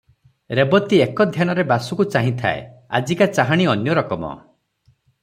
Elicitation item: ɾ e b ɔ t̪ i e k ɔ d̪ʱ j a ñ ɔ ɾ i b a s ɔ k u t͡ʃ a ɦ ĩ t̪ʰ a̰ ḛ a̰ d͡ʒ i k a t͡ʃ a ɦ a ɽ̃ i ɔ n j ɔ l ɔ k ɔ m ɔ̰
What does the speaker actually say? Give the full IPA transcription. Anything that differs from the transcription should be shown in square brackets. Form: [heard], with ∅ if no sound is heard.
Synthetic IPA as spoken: ɾ e b ɔ t̪ i e k ɔ d̪ʱ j a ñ ɔ ɾ [e] b a s [u] k u t͡ʃ a ɦ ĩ t̪ʰ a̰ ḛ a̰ d͡ʒ i k a t͡ʃ a ɦ a ɽ̃ i ɔ n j ɔ [ɾ] ɔ k ɔ m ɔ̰